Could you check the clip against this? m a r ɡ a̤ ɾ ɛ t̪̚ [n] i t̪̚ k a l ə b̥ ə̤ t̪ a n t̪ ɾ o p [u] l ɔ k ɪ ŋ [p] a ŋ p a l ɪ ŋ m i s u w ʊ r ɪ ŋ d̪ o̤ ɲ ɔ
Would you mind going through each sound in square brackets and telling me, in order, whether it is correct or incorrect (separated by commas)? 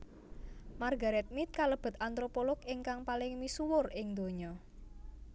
incorrect, incorrect, incorrect